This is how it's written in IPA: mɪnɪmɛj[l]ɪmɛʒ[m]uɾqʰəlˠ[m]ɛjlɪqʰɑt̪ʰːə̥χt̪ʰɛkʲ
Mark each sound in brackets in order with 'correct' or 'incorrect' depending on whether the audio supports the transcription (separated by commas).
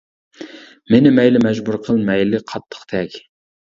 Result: correct, incorrect, correct